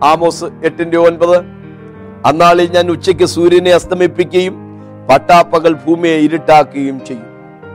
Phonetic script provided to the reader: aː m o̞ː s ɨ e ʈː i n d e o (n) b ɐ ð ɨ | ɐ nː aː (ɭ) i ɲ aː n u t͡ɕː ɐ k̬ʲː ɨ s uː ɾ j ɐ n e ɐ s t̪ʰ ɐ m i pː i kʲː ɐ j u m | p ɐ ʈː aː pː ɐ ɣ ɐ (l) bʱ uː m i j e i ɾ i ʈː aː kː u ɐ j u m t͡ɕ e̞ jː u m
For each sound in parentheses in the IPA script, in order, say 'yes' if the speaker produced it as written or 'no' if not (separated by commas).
yes, yes, no